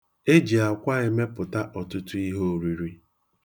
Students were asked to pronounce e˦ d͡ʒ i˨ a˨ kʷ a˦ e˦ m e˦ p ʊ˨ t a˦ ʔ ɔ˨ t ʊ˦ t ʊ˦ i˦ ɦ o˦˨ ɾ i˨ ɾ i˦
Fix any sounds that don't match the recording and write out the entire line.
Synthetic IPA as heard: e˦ d͡ʒ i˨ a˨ kʷ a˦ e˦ m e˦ p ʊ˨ t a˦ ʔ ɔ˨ t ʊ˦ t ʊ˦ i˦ ɦ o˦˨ ɾ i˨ ɾ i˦